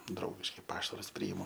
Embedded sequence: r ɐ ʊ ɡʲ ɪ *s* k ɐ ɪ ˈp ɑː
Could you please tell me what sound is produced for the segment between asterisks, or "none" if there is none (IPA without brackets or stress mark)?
ʃ